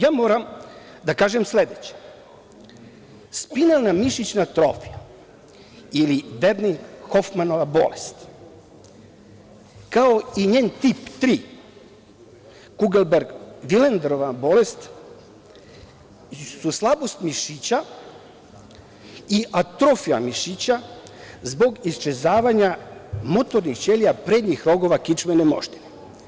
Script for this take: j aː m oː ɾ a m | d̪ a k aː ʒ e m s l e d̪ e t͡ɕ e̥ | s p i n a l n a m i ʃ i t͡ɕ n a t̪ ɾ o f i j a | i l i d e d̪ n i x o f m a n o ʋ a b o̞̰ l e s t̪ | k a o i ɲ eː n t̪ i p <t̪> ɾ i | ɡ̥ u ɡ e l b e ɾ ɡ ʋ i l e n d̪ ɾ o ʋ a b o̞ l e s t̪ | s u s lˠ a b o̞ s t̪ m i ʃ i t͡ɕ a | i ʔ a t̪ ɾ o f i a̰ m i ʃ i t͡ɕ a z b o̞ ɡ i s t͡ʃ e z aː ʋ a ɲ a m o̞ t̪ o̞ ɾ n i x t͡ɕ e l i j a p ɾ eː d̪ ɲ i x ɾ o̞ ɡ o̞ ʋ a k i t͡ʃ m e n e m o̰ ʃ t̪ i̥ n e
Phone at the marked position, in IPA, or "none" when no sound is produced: t̪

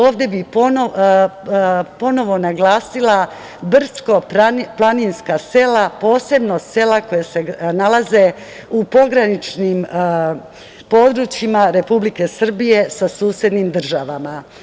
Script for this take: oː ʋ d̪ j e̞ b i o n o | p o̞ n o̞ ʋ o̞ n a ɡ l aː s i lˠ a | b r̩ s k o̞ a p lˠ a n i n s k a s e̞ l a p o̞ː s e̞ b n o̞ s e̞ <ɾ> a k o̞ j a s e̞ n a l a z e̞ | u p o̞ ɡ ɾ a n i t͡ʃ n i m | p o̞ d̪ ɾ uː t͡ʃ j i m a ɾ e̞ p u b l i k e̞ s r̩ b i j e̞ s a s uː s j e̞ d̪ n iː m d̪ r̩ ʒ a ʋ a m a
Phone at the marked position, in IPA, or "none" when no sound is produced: l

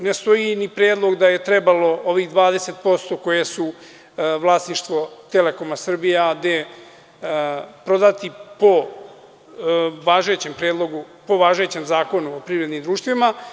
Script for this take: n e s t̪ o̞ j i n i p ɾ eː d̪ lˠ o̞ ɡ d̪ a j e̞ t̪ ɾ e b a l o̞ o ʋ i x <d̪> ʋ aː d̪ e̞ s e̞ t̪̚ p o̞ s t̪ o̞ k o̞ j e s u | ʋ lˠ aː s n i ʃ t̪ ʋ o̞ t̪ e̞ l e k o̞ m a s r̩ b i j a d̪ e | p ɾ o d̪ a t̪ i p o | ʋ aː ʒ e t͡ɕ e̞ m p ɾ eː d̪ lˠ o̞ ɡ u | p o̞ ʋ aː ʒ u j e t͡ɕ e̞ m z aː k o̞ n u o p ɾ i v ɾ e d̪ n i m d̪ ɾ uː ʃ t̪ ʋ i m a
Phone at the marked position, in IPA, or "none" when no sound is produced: d̪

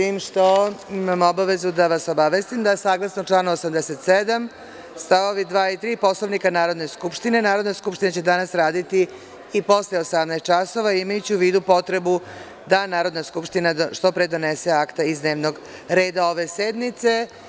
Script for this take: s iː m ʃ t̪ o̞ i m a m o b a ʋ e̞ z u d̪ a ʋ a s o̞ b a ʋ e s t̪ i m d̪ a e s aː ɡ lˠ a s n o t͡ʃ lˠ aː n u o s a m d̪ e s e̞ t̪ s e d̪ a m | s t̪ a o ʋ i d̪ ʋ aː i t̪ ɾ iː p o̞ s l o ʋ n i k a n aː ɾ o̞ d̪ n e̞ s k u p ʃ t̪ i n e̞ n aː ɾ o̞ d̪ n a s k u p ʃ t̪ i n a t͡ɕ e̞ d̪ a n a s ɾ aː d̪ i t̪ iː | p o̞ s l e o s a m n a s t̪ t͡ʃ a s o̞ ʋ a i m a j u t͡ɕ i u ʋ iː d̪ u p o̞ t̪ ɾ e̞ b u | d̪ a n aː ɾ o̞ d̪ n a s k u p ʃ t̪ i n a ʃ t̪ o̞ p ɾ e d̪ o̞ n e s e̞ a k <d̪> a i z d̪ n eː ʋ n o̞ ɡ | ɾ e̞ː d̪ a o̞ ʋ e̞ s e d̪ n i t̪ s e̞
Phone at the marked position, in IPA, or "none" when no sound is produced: t̪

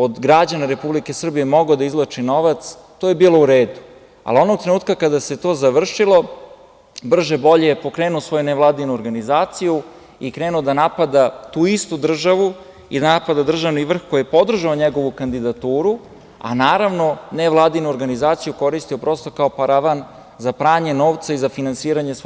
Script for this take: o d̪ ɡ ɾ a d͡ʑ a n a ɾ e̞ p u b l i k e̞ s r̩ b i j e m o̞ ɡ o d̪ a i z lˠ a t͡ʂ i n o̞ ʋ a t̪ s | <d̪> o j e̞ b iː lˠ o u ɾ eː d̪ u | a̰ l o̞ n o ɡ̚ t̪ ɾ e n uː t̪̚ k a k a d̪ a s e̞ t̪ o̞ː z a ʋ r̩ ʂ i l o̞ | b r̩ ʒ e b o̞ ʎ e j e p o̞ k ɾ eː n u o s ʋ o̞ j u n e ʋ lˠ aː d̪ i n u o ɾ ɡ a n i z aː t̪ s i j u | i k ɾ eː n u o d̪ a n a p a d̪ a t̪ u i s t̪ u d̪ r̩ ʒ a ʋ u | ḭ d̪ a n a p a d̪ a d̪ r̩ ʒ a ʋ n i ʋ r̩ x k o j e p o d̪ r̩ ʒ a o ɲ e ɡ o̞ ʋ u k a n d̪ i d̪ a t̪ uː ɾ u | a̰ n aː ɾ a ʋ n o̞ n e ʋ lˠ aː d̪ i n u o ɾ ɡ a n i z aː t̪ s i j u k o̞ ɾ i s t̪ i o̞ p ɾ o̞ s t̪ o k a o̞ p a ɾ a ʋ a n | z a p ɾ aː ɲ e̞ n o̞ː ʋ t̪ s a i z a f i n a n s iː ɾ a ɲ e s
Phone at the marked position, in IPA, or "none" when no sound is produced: t̪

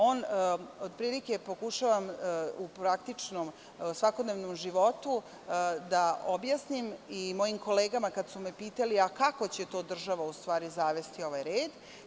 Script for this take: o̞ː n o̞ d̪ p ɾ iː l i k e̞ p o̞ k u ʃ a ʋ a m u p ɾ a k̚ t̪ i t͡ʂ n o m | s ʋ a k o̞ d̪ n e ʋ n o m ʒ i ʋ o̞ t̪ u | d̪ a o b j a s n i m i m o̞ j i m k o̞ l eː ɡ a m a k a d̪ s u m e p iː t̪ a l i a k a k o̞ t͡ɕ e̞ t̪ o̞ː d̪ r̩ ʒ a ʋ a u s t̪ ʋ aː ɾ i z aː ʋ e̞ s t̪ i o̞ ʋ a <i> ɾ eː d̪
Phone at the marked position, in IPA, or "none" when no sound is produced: j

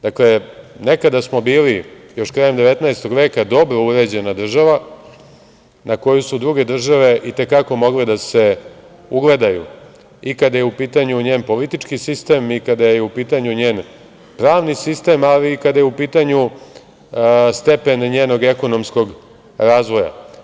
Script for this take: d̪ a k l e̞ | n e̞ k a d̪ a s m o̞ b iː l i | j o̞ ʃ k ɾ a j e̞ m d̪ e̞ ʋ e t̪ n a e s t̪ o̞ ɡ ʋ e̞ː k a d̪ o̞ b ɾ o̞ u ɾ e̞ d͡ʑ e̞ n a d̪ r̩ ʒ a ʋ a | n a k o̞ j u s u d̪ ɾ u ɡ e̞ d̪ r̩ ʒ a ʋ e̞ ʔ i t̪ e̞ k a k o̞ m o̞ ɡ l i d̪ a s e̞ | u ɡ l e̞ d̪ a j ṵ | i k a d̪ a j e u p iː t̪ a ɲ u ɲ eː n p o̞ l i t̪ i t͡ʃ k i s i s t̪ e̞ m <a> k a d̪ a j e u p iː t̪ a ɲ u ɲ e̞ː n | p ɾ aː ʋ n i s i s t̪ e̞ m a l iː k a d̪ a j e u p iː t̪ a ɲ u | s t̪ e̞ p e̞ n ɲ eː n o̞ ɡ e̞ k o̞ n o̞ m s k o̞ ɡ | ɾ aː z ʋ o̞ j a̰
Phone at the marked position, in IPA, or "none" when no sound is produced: i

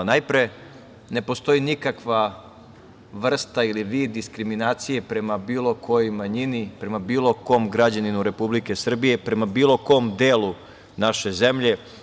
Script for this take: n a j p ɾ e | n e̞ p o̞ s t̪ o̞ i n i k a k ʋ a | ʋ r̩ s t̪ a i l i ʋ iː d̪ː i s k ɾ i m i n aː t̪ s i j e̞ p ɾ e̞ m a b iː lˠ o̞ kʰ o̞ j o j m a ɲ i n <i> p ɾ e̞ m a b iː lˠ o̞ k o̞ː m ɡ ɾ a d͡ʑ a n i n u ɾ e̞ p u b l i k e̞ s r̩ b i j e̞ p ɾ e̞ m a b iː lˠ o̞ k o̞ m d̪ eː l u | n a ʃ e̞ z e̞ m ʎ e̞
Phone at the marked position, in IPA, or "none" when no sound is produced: i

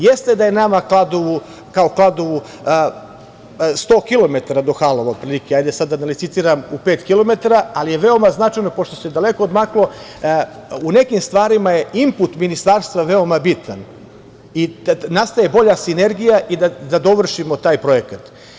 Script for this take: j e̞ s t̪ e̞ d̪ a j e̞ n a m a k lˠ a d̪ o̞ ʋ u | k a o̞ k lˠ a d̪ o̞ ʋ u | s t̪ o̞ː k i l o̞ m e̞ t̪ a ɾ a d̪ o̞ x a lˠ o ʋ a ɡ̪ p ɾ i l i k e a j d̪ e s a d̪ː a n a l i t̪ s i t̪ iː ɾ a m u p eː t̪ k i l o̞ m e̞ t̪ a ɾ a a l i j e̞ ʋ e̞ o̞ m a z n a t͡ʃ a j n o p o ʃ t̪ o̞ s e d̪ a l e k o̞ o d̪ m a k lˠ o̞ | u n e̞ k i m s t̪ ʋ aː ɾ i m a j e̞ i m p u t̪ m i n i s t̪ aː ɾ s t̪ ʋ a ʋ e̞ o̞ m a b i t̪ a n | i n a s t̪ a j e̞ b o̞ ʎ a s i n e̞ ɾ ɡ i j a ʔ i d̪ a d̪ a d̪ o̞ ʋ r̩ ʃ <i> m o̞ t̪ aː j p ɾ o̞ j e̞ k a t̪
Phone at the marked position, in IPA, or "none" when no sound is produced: i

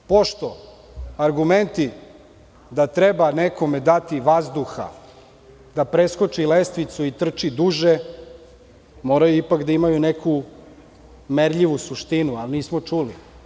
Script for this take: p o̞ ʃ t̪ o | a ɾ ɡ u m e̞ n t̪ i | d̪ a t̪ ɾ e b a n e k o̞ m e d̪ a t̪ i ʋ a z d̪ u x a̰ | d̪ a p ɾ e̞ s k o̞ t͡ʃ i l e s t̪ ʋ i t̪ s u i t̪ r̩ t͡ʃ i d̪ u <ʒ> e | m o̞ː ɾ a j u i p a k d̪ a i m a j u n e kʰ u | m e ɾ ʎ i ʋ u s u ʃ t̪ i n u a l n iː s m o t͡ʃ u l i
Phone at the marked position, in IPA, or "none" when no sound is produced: ʒ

